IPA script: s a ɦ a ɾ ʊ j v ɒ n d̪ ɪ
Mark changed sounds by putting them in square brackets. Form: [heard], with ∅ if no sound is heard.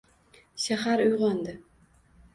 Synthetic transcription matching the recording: [ʃ] a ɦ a ɾ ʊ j [ʁ] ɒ n d̪ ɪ